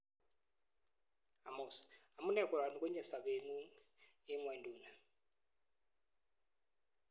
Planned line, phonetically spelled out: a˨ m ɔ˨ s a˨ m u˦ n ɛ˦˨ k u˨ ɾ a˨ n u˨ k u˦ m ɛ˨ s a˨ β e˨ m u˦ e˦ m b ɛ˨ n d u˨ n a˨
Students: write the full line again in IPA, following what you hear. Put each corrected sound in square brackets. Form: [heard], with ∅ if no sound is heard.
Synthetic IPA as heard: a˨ m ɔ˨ s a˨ m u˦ n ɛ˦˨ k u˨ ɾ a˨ n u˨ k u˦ [ɲ] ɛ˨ s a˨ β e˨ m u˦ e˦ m [w] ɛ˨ n d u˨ n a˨